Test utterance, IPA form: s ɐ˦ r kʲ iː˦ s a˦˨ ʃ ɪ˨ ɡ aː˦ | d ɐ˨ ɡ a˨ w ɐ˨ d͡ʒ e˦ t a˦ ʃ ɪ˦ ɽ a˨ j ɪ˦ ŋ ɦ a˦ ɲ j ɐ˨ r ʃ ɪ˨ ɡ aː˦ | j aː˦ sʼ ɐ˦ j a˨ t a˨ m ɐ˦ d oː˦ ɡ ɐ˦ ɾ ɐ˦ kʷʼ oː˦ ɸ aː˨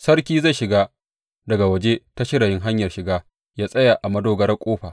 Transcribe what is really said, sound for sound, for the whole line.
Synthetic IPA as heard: s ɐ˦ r kʲ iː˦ z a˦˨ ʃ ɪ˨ ɡ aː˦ | d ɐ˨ ɡ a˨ w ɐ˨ d͡ʒ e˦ t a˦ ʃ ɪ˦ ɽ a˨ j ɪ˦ ŋ ɦ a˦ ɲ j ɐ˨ r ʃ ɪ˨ ɡ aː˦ | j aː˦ sʼ ɐ˦ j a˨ ʔ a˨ m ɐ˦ d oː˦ ɡ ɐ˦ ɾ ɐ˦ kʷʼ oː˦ ɸ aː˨